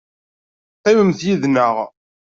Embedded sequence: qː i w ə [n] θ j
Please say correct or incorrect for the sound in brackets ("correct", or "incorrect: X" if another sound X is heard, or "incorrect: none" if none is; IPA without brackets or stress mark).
incorrect: m